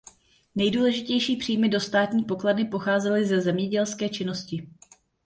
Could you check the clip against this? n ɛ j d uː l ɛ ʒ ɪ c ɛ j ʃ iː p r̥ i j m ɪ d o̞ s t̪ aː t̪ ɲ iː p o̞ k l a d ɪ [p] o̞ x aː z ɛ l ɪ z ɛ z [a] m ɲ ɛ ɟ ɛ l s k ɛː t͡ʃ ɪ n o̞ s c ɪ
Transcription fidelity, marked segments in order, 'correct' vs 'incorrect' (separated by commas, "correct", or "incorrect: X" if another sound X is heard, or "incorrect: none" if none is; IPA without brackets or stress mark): correct, incorrect: ɛ